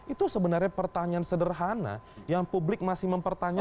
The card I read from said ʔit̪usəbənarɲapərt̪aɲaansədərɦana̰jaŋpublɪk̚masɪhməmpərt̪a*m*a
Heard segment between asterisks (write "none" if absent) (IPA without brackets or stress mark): ɲ